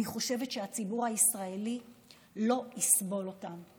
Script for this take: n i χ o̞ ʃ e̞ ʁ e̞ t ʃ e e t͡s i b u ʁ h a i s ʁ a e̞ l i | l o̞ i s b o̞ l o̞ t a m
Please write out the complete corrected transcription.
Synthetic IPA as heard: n i χ o̞ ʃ e̞ v e̞ t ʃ e a t͡s i b u ʁ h a i s ʁ a e̞ l i | l o̞ i s b o̞ l o̞ t a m